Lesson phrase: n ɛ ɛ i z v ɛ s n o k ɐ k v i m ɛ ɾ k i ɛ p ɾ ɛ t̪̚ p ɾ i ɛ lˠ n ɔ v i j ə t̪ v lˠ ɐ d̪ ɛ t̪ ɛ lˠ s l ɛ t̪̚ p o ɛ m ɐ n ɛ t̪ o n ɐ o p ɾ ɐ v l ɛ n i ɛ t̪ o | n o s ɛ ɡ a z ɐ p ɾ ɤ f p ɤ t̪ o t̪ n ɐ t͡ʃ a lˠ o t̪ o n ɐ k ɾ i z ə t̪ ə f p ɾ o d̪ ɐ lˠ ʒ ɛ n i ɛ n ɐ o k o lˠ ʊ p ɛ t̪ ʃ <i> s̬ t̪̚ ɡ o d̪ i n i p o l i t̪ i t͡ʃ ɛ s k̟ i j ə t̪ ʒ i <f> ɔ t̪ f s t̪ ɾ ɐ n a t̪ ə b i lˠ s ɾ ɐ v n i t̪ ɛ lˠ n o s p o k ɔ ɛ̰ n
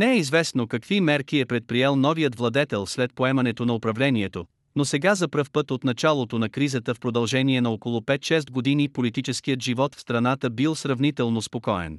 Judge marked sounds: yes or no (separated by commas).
no, no